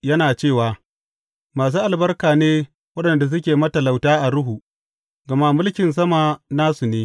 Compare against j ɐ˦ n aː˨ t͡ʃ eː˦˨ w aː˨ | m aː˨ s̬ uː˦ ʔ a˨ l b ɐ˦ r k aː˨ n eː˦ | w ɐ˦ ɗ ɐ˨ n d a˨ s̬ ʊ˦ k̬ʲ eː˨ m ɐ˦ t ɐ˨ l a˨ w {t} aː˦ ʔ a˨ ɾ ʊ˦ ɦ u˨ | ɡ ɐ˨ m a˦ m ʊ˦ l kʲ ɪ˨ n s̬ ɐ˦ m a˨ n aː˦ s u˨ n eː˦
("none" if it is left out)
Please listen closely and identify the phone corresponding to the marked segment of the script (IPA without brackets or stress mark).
t